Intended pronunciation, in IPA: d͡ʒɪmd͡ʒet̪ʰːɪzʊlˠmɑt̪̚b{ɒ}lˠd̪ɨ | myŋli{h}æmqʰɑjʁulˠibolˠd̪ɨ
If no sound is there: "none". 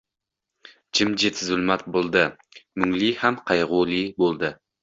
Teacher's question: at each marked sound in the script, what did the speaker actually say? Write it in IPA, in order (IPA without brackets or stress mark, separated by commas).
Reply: o, h